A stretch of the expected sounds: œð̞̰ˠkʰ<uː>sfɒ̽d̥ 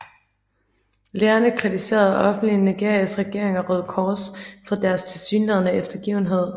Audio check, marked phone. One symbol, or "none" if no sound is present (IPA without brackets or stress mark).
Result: ɒː